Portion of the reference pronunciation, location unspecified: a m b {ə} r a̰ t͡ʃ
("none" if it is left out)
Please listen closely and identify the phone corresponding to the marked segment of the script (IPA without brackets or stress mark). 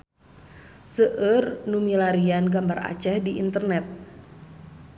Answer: a